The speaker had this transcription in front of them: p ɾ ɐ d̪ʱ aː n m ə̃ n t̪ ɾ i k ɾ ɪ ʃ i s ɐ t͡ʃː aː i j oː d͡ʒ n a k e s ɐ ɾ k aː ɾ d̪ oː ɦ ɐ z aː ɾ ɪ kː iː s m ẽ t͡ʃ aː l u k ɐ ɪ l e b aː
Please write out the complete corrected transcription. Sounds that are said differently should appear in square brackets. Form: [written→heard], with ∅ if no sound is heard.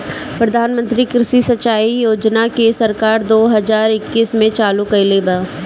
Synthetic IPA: p ɾ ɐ d̪ʱ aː n m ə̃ n t̪ ɾ i k ɾ ɪ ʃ i s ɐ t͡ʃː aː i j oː d͡ʒ n a k e s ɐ ɾ k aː ɾ d̪ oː ɦ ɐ z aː ɾ ɪ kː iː s m ẽ t͡ʃ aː l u k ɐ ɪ l e b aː